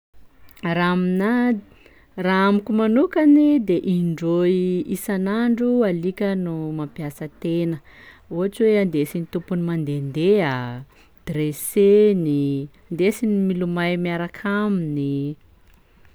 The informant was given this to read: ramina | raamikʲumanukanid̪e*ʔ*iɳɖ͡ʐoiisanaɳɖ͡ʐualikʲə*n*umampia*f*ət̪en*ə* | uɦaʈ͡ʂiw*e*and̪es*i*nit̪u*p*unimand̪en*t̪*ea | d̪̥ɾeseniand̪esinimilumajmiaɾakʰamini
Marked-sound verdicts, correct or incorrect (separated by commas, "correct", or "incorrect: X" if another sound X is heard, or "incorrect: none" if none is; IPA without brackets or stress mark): correct, correct, incorrect: s, correct, correct, correct, correct, incorrect: d̪